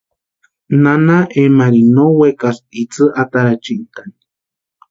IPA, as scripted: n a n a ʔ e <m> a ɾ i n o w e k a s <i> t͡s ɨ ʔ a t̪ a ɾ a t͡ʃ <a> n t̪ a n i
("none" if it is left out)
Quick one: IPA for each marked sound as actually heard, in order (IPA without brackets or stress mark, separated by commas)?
m, i, i